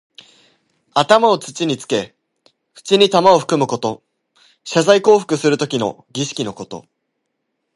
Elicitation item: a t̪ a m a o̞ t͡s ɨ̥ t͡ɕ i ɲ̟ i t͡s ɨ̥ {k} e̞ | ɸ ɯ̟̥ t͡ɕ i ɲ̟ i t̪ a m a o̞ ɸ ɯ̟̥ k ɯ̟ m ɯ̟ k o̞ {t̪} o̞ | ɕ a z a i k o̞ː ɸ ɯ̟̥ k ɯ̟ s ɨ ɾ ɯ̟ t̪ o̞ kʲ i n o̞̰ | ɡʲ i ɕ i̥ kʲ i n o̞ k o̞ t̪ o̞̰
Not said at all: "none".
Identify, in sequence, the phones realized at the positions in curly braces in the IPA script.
k, t̪

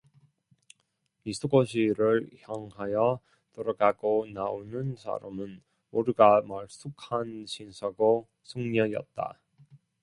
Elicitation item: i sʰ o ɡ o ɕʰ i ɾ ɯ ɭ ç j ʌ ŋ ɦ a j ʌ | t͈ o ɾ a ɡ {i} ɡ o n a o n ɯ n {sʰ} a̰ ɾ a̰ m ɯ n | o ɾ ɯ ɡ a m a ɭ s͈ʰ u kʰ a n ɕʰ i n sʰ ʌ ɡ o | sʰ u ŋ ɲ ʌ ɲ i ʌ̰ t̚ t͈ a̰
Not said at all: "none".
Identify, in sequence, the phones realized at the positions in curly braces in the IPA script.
a, sʰ

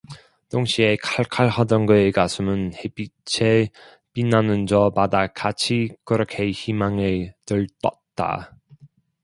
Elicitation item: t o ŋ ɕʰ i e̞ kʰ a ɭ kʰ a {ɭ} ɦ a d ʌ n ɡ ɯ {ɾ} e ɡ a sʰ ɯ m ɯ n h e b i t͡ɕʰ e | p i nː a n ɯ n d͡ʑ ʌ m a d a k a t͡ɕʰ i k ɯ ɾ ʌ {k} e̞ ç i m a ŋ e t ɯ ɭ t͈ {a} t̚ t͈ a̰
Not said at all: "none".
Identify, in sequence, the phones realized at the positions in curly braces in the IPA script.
ɭ, none, kʰ, ʌ

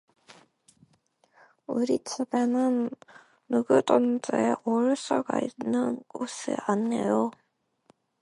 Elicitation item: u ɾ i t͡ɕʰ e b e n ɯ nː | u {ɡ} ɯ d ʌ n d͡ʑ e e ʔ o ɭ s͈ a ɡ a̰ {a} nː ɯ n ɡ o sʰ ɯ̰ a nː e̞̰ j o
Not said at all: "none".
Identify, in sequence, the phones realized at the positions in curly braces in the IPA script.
ɡ, i

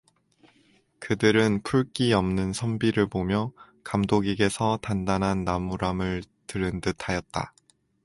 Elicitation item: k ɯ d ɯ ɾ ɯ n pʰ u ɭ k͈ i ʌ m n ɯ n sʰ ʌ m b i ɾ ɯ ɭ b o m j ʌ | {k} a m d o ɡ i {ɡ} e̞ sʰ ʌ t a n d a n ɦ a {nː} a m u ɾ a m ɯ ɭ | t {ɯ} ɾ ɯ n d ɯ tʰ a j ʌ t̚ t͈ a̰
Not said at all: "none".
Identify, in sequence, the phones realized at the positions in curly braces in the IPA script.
k, ɡ, nː, ɯ

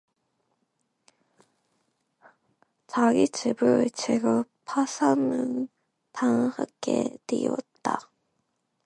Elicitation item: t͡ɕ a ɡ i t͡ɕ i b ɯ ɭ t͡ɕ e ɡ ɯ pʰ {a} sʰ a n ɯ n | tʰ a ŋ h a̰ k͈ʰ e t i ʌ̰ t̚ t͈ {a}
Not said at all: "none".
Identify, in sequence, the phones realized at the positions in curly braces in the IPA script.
a, a

